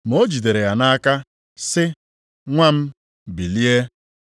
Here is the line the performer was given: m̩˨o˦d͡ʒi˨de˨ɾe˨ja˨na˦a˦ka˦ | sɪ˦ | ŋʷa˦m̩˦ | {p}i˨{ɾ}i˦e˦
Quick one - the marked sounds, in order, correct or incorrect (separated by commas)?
incorrect, incorrect